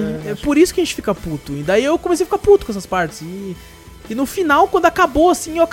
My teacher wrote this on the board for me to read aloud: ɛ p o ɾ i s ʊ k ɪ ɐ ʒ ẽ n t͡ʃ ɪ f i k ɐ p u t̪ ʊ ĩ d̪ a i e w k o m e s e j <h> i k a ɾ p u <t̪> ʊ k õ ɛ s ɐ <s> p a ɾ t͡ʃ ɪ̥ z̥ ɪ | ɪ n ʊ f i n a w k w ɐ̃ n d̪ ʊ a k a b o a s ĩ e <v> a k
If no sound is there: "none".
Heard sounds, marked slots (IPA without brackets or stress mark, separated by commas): f, t̪, s, w